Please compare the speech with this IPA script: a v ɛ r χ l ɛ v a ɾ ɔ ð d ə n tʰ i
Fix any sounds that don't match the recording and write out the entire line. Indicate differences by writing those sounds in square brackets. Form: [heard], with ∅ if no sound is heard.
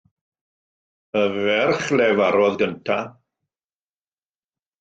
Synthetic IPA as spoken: [ə] v ɛ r χ l ɛ v a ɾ ɔ ð [ɡ] ə n tʰ [a]

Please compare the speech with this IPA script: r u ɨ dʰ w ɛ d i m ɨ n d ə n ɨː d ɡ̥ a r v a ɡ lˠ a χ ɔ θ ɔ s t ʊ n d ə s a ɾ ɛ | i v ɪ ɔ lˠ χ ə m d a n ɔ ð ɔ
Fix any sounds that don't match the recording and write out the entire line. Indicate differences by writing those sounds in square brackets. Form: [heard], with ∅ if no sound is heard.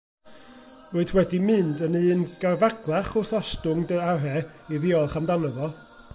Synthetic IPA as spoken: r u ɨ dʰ w ɛ d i m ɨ n d ə n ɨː [n] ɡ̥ a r v a ɡ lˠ a χ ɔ θ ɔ s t ʊ [ŋ] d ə [∅] a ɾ ɛ | i [ð] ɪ ɔ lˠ χ [a] m d a n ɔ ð ɔ

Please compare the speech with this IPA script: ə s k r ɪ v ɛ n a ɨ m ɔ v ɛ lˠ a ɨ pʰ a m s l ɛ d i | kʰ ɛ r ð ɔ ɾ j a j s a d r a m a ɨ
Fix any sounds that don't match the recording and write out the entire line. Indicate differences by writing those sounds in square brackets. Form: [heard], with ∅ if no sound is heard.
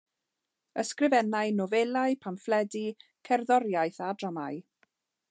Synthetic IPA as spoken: ə s k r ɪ v ɛ n a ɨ [n] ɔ v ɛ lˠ a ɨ pʰ a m [f] l ɛ d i | kʰ ɛ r ð ɔ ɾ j a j [θ] a d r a m a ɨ

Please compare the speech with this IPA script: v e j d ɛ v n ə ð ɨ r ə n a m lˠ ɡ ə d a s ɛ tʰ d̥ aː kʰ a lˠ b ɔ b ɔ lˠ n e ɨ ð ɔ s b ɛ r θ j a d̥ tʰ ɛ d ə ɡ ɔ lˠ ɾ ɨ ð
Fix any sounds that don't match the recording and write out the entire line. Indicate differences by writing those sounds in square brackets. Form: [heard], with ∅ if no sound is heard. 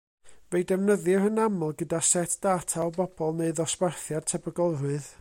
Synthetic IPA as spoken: v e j d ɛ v n ə ð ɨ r ə n a m lˠ ɡ ə d a s ɛ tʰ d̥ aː [tʰ] a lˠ b ɔ b ɔ lˠ n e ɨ ð ɔ s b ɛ r θ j a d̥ tʰ ɛ [b] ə ɡ ɔ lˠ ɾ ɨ ð

